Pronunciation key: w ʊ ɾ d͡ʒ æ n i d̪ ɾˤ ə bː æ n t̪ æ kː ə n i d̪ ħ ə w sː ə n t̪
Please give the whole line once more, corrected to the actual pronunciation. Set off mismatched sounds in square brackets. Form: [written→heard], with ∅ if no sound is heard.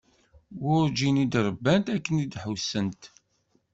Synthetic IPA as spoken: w ʊ ɾ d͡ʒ [æ→i] n i d̪ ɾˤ ə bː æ n t̪ æ kː ə n i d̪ ħ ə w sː ə n t̪